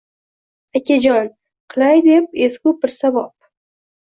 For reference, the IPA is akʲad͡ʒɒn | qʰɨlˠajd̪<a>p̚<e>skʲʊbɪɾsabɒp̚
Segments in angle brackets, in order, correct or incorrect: incorrect, correct

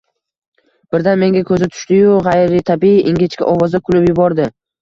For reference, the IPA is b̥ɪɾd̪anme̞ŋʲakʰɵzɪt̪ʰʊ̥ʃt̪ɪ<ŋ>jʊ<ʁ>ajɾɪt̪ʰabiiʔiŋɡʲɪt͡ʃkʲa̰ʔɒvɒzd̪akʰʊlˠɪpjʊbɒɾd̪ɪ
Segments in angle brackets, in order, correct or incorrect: incorrect, correct

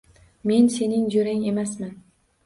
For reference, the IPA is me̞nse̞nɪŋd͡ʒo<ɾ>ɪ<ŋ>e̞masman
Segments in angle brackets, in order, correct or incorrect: correct, correct

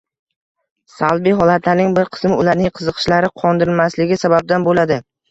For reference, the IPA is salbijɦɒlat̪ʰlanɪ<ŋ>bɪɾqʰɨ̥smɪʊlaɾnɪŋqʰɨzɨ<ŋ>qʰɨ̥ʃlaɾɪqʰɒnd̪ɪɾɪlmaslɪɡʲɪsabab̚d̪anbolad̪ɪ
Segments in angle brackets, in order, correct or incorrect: correct, incorrect

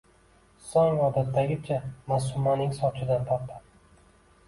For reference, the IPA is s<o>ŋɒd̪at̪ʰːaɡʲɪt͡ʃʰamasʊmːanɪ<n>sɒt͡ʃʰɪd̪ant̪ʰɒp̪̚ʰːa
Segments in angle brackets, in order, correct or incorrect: incorrect, incorrect

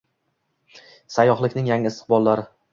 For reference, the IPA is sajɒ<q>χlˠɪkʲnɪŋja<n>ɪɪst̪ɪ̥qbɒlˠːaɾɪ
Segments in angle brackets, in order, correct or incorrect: incorrect, incorrect

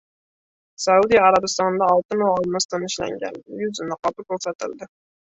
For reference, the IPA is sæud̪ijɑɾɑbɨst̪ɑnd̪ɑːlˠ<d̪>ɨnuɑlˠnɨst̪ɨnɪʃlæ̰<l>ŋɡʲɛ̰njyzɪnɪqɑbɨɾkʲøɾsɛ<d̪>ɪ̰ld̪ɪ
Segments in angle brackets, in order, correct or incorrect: incorrect, incorrect, incorrect

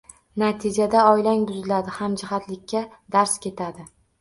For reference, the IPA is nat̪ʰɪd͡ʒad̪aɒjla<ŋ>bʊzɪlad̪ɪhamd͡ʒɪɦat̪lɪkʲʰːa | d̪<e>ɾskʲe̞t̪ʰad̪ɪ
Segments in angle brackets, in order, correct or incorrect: correct, incorrect

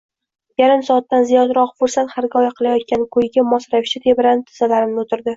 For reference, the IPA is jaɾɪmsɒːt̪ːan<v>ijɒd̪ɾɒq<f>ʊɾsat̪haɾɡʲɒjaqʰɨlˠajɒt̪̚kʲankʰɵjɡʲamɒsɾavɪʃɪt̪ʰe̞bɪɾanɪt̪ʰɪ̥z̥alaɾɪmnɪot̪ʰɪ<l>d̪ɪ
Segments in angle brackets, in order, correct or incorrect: incorrect, correct, incorrect

